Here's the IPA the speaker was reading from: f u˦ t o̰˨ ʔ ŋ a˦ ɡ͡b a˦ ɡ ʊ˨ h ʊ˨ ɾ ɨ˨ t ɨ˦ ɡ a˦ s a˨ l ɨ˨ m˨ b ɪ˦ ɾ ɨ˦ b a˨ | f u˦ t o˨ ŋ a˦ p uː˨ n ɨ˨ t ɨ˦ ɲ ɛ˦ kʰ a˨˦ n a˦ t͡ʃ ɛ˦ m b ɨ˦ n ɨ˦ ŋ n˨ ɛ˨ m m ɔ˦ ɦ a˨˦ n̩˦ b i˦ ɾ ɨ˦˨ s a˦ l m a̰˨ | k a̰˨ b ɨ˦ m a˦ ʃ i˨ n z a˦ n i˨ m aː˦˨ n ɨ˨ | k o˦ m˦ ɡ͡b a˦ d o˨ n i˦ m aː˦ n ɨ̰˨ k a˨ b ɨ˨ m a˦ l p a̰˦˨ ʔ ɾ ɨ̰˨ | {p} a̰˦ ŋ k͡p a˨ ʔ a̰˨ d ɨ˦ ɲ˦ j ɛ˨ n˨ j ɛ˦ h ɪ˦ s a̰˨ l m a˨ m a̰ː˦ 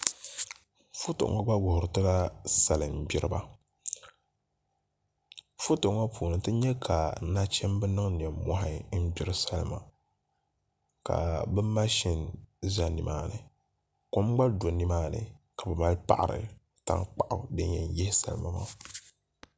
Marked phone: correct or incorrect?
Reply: incorrect